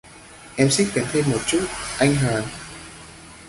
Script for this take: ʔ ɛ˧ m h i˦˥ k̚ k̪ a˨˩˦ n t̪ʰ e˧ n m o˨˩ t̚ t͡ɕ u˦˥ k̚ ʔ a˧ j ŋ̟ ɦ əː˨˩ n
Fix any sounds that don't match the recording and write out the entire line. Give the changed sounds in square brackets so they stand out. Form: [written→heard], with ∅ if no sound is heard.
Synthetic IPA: ʔ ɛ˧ m [h→s] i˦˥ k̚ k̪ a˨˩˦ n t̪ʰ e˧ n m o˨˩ t̚ t͡ɕ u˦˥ [k̚→t̚] ʔ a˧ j ŋ̟ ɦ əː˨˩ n